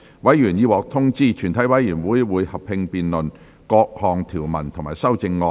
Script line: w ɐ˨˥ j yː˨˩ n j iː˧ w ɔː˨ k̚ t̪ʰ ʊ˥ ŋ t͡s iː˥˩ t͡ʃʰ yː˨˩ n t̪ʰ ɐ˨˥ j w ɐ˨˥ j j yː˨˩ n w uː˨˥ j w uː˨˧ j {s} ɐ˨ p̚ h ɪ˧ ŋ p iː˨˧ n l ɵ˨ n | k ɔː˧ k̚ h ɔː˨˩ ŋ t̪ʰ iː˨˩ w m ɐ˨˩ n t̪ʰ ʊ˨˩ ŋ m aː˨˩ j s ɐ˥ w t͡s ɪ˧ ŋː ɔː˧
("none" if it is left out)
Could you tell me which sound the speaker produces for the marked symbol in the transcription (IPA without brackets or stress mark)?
h